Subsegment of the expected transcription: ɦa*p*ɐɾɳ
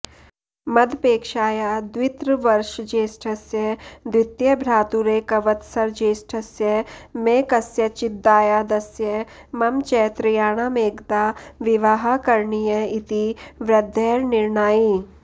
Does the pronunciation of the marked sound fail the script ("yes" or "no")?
yes